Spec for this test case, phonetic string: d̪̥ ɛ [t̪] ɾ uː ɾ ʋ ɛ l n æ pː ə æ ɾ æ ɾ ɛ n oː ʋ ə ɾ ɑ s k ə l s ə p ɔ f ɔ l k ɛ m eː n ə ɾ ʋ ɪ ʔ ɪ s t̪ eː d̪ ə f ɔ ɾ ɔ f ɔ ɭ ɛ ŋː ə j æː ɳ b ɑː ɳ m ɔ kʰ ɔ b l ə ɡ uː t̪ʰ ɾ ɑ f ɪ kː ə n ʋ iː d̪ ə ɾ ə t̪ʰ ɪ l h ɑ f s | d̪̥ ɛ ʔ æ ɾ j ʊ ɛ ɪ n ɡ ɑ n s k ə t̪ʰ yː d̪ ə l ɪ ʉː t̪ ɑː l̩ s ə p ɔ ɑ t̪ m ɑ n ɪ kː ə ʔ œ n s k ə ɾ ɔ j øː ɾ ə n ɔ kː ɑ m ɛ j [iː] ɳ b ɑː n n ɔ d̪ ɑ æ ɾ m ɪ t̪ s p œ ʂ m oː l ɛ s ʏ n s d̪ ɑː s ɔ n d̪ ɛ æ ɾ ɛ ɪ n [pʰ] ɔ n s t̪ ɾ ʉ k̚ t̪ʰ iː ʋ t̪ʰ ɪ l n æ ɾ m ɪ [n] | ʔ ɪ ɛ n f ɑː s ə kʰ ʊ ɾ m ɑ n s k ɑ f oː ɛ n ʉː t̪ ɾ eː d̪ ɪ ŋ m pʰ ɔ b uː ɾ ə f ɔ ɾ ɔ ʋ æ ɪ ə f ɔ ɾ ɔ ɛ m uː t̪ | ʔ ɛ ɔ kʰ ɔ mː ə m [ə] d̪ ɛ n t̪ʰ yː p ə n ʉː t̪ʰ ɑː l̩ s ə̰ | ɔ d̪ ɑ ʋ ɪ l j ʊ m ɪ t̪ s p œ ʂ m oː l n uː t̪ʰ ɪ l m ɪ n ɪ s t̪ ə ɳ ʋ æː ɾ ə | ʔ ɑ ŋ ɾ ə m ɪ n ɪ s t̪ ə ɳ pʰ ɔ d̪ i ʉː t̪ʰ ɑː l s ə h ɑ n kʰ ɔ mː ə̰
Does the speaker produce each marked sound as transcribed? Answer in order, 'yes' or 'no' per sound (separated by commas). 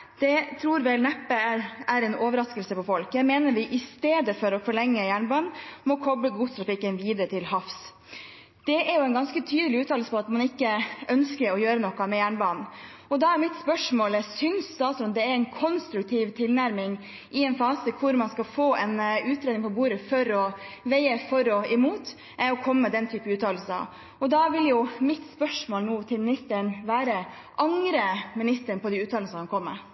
no, no, no, no, yes